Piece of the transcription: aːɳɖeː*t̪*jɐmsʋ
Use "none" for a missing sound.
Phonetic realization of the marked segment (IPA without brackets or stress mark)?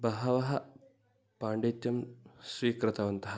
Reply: t̪